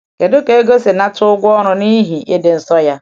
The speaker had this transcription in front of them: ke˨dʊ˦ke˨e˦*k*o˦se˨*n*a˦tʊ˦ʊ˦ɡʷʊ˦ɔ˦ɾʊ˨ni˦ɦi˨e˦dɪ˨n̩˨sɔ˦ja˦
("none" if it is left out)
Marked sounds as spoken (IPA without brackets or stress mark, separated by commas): ɡ, n